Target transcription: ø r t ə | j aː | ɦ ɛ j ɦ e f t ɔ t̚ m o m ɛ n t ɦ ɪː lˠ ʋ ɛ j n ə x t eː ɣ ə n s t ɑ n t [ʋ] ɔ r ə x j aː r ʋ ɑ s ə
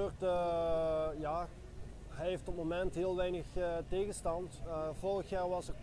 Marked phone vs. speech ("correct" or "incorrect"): incorrect